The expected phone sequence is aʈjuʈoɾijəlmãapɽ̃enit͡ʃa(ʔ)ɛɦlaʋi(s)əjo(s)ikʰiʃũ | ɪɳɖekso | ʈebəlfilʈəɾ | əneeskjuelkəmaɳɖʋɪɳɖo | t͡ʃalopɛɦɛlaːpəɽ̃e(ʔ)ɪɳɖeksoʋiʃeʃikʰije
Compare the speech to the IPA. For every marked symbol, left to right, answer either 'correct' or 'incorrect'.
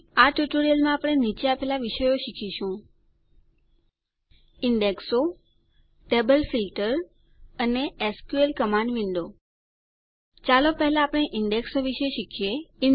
incorrect: p, incorrect: ʃ, incorrect: ʃ, correct

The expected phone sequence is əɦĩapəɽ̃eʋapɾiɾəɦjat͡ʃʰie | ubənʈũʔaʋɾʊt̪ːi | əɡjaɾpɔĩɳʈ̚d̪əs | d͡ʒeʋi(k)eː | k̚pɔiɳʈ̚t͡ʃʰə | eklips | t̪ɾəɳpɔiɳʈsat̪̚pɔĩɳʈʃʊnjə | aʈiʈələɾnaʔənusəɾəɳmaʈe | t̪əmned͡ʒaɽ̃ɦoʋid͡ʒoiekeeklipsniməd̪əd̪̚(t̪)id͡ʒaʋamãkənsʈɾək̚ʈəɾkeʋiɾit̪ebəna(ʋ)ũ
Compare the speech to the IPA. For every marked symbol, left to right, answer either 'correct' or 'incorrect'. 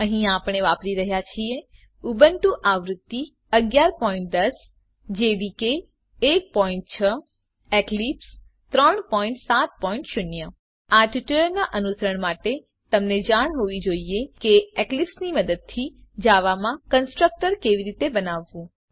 correct, incorrect: t̪ʰ, incorrect: ʋː

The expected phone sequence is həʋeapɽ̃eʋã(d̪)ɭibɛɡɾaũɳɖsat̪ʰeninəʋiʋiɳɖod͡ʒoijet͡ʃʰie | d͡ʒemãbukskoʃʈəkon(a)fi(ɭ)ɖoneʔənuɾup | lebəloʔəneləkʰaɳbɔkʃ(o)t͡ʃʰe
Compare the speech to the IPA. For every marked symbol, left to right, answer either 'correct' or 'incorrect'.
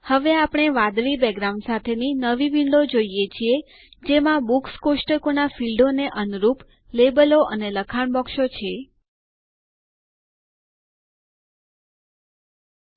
correct, correct, incorrect: l, correct

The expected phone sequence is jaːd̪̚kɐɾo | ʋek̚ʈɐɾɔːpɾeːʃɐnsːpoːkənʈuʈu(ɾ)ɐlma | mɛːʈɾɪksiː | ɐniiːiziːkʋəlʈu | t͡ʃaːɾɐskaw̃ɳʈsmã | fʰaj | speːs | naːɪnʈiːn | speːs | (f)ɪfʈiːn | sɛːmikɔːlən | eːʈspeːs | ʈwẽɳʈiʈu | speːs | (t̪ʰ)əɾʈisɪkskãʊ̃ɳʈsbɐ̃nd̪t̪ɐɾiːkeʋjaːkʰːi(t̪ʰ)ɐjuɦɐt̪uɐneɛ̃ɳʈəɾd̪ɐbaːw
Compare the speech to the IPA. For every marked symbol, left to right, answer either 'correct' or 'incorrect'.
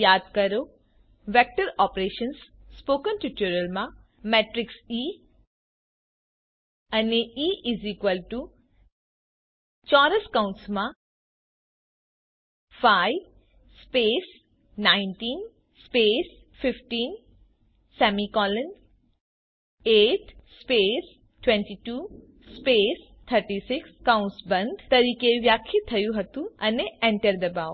correct, correct, correct, correct

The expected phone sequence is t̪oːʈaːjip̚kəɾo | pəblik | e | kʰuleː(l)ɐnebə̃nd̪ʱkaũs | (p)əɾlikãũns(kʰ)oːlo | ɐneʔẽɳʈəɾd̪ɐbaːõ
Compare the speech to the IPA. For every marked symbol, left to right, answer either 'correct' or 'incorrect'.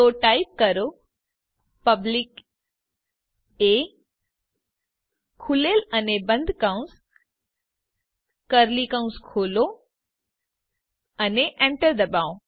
correct, incorrect: k, correct

